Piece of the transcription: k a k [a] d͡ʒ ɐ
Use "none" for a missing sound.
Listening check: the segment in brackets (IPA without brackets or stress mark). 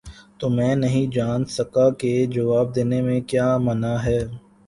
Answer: e